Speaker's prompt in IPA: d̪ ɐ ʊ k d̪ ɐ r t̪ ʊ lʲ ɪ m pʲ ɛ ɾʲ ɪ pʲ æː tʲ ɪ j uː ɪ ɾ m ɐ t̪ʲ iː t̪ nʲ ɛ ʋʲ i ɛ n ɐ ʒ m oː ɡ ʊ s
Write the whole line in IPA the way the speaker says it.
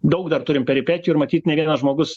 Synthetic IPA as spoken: d̪ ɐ ʊ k d̪ ɐ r t̪ ʊ ɾʲ ɪ m pʲ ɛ ɾʲ ɪ pʲ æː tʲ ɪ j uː ɪ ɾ m ɐ t̪ʲ iː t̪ nʲ ɛ ʋʲ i ɛ n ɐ ʒ m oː ɡ ʊ s